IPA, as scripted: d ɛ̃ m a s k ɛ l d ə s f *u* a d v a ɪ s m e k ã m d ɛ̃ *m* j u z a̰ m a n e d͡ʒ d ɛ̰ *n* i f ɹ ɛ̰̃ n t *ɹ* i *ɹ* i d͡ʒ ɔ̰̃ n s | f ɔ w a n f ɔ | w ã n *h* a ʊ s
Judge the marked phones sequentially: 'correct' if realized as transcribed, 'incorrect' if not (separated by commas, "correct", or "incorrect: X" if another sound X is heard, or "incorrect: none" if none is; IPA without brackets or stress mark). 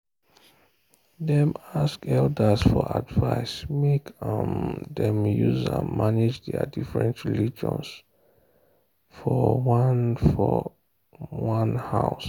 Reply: incorrect: ɔ, correct, incorrect: d, correct, incorrect: l, correct